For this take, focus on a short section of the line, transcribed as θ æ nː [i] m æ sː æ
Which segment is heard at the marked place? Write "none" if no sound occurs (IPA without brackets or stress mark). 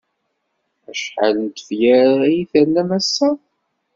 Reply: æ